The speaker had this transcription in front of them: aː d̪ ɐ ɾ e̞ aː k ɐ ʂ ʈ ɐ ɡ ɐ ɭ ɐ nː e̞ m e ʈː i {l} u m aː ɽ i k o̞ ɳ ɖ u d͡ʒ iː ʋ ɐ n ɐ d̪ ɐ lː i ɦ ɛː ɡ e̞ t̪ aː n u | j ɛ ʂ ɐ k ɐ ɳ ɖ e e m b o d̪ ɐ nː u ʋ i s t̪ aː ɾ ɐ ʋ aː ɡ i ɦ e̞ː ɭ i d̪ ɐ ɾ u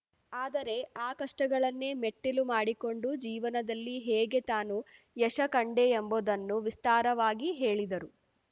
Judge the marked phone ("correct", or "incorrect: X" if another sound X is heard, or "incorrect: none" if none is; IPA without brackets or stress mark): correct